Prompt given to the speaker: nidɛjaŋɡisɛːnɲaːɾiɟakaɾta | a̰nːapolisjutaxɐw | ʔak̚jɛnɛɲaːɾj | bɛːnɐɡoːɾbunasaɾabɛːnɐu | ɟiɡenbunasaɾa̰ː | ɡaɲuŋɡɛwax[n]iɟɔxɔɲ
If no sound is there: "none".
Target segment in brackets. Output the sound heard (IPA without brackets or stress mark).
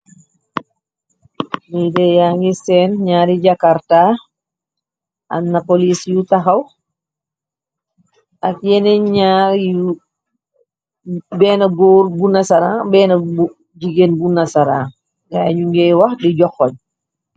d